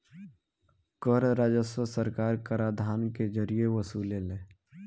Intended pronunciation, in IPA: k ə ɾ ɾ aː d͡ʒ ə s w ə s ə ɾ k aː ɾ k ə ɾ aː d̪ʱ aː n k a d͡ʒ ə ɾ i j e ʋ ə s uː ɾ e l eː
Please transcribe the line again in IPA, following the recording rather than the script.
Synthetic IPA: k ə ɾ ɾ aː d͡ʒ ə s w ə s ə ɾ k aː ɾ k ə ɾ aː d̪ʱ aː n k e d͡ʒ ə ɾ i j e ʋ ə s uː l e l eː